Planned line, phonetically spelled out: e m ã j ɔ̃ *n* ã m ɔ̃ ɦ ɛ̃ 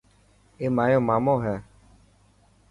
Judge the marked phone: incorrect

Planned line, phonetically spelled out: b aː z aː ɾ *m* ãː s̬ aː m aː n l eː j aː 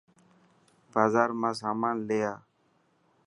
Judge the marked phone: correct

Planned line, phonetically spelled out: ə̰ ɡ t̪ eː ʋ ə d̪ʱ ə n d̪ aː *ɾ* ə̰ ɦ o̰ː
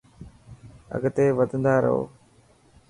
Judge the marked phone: correct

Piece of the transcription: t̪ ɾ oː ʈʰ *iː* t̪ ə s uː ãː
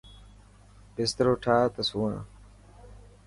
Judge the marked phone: incorrect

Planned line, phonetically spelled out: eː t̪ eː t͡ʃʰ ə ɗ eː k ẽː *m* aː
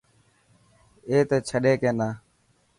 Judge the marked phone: incorrect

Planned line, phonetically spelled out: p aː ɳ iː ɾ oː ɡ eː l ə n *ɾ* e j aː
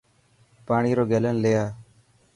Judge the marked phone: incorrect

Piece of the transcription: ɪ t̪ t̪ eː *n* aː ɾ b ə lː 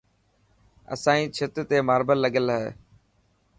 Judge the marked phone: incorrect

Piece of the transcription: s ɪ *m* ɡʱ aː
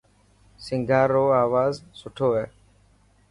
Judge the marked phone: incorrect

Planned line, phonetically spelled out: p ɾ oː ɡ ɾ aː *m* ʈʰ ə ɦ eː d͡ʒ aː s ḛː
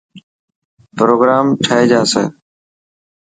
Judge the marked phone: correct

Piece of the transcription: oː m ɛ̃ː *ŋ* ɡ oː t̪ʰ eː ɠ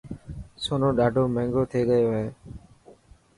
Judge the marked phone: correct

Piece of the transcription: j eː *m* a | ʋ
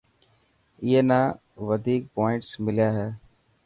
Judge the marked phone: incorrect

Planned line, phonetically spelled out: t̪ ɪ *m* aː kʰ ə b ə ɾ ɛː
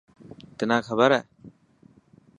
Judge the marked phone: incorrect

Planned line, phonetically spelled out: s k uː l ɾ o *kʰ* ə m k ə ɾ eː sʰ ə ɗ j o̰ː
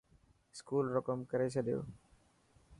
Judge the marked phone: incorrect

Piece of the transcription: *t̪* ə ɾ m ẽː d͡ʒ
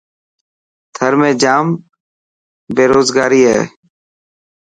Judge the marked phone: incorrect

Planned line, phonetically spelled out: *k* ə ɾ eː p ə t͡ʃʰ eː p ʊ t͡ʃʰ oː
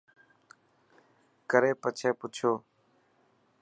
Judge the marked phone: correct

